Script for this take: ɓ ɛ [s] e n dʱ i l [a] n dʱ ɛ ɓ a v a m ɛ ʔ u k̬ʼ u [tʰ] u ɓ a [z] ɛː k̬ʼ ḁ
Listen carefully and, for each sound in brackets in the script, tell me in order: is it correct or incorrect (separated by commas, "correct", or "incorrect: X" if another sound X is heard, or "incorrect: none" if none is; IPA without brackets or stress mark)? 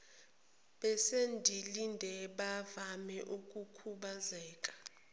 correct, incorrect: i, incorrect: kʰ, correct